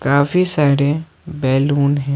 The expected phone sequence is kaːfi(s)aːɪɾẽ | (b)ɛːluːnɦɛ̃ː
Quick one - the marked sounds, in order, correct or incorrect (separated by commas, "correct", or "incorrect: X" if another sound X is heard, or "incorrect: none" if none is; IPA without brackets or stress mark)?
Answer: correct, correct